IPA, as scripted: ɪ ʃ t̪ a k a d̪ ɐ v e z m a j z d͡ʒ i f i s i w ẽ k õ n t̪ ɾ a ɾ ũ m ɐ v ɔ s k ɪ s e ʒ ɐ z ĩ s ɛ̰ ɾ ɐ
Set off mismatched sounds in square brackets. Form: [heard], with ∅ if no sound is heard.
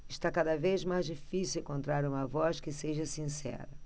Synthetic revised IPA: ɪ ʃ t̪ a k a d̪ ɐ v e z m a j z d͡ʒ i f i s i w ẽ k õ n t̪ ɾ a ɾ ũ m ɐ v ɔ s k ɪ s e ʒ ɐ [s] ĩ s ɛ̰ ɾ ɐ